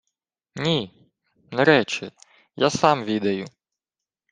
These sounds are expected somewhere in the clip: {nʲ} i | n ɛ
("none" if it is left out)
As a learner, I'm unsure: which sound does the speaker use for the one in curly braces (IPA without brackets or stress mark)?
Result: nʲ